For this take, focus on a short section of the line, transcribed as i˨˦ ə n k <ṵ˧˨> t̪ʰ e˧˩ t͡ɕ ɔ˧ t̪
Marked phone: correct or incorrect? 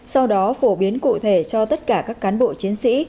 correct